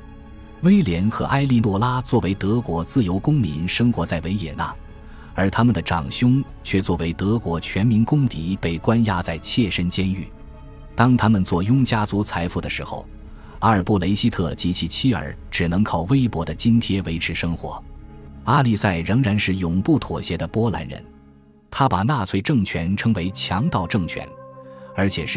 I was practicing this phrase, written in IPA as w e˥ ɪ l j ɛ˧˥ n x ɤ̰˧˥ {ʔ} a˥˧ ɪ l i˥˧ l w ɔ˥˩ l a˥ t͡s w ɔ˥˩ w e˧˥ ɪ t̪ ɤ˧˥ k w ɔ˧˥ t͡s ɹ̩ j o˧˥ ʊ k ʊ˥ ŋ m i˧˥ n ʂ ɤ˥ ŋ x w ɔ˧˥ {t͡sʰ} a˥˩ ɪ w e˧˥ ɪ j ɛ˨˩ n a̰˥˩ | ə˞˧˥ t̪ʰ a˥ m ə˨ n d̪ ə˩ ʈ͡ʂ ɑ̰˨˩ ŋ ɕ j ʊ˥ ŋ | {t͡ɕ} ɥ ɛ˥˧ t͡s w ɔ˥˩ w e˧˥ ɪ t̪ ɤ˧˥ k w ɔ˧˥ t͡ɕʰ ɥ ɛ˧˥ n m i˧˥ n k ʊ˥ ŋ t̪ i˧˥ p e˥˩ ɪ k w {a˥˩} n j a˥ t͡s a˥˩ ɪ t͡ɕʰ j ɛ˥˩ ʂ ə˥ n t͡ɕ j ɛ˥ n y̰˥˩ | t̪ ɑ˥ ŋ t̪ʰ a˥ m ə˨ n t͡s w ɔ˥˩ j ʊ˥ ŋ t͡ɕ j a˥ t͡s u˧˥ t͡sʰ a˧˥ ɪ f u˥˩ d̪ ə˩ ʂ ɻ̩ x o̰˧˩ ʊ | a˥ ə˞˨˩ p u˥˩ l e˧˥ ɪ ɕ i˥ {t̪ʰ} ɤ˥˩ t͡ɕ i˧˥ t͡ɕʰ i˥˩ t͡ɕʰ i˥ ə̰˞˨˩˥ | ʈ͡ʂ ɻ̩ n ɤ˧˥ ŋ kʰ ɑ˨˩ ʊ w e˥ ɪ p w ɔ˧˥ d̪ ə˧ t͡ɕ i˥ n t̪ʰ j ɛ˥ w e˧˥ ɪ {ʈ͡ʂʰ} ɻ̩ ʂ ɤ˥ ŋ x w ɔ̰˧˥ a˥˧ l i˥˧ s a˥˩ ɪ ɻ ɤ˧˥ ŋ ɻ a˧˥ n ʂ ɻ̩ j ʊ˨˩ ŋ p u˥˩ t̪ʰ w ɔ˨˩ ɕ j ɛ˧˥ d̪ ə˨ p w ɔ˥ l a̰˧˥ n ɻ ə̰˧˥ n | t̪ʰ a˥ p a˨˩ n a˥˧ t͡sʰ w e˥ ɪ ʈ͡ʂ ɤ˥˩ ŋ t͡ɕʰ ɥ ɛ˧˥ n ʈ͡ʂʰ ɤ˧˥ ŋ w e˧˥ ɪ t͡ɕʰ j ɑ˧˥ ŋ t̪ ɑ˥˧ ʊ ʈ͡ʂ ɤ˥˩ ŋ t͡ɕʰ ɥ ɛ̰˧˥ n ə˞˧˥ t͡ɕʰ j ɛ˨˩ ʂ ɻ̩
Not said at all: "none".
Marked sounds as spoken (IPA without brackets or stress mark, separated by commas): ʔ, t͡s, t͡ɕʰ, a˥, t̪ʰ, ʈ͡ʂʰ